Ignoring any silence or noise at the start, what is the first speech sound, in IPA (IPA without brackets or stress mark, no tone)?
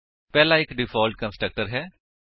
p